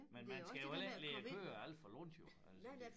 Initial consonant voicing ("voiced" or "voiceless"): voiced